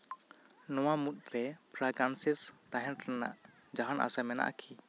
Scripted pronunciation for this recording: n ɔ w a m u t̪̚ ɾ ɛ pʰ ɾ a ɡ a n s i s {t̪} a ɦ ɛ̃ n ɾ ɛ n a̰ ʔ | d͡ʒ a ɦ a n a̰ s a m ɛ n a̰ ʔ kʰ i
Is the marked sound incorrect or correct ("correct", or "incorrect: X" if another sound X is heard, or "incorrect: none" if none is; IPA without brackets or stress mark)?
correct